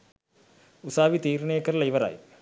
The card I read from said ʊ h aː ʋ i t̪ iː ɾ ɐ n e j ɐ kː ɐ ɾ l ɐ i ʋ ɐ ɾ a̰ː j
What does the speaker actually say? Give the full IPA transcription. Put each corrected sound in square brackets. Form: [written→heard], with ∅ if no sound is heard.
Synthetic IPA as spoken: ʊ [h→s] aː ʋ i t̪ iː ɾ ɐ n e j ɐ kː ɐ ɾ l ɐ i ʋ ɐ ɾ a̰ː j